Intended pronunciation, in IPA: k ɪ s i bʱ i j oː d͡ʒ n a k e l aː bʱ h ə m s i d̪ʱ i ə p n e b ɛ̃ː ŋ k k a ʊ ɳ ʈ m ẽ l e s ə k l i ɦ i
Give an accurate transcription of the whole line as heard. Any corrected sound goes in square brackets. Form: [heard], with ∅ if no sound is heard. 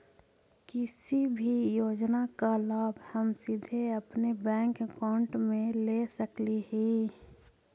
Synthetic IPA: k ɪ s i bʱ i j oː d͡ʒ n a k [a] l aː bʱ h ə m s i d̪ʱ [e] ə p n e b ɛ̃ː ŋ k k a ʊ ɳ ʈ m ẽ l e s ə k l i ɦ i